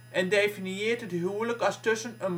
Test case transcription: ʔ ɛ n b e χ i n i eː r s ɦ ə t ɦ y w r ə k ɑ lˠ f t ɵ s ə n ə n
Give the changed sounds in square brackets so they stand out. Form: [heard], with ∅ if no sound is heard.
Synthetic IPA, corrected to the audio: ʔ ɛ n [d] e [f] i n i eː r [t] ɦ ə t ɦ y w [l] ə k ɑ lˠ [s] t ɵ s ə n ə n

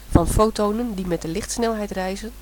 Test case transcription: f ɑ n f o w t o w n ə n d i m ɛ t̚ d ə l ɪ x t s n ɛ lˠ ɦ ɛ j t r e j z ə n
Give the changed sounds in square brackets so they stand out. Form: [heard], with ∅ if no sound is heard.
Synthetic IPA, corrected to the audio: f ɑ n f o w t o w n ə n d i m ɛ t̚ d ə l ɪ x t s n ɛ lˠ ɦ ɛ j t r [ɛ] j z ə n

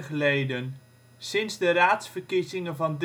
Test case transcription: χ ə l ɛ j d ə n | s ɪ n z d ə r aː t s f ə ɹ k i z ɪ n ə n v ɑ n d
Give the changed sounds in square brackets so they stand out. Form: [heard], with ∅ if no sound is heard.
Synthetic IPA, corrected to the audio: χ ə l [e] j d ə n | s ɪ n z d ə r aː t s f ə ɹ k i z ɪ [ŋ] ə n v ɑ n d

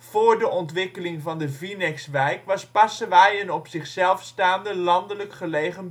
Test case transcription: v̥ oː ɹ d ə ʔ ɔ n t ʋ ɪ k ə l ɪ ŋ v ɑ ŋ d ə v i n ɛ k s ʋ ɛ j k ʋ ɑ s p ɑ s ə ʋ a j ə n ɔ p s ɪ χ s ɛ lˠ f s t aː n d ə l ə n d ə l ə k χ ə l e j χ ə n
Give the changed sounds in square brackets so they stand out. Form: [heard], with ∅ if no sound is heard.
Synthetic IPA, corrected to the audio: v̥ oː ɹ d ə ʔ ɔ n t ʋ ɪ k ə l ɪ ŋ v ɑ [n] d ə v i n ɛ k s ʋ ɛ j k ʋ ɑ s p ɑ s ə ʋ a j ə n ɔ p s ɪ χ s ɛ lˠ f s t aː n d ə l [ɑ] n d ə l ə k χ ə l e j χ ə n

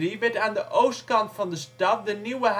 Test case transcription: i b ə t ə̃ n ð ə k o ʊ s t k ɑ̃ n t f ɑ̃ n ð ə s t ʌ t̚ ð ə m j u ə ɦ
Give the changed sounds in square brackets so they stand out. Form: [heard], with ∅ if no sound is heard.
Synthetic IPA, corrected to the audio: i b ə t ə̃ n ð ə [ʔ] o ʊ s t k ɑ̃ n t f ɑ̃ n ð ə s t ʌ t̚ ð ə [n] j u ə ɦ

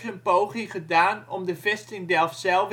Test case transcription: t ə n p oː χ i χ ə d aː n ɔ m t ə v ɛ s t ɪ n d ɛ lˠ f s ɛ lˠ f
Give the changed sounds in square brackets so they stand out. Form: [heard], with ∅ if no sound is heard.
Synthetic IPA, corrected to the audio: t ə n p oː χ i χ ə d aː n ɔ m [d] ə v ɛ s t ɪ [ŋ] d ɛ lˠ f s ɛ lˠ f

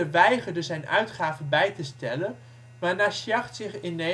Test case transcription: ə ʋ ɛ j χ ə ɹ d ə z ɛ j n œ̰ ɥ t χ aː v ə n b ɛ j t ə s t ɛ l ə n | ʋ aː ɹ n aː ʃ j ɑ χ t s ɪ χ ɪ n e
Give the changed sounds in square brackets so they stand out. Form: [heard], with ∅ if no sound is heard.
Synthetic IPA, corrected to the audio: ə ʋ ɛ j χ ə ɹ d ə z ɛ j n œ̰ ɥ t χ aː v ə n b ɛ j t ə s t ɛ l ə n | ʋ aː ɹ n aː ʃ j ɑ χ t s ɪ χ ɪ n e

